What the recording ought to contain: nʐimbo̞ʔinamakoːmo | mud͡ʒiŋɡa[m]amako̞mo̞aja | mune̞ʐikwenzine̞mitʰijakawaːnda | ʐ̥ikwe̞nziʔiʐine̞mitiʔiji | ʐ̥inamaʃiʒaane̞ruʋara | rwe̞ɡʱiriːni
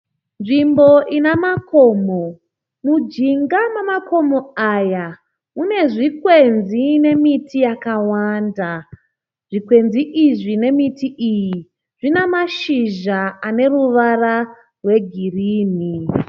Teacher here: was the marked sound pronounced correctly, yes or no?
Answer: yes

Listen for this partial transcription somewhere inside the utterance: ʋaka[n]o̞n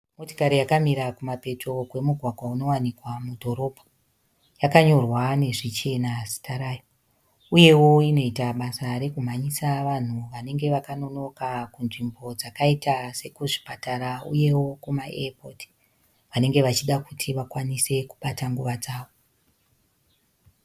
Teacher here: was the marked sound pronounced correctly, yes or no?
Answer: yes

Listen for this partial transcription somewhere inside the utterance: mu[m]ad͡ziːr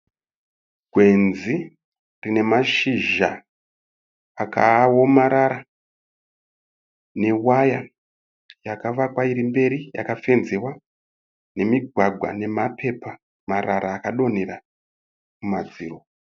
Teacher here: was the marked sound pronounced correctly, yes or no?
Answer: yes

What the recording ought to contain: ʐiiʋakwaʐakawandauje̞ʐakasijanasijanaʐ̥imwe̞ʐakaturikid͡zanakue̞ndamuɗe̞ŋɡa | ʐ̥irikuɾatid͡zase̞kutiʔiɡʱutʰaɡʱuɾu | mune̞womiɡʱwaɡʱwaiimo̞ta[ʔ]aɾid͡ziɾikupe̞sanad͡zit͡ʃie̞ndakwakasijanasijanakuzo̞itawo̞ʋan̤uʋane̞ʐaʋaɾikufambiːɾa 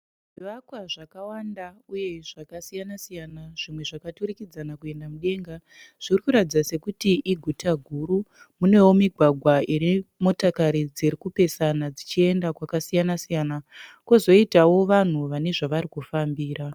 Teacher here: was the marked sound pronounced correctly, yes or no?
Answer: no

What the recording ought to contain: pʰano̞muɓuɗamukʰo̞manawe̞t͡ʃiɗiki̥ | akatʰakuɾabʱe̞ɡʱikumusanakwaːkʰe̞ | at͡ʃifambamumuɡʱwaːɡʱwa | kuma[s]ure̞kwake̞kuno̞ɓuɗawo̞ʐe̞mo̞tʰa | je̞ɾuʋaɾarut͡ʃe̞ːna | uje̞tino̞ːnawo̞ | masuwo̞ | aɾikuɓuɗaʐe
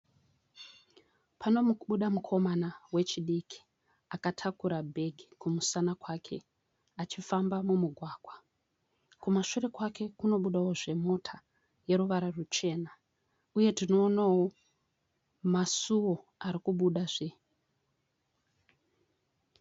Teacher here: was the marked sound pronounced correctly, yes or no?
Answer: no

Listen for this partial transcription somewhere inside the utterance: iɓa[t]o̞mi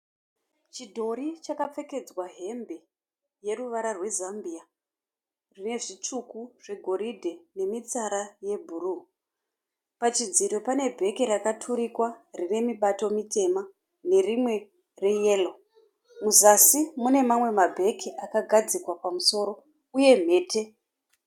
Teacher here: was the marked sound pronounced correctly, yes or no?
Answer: yes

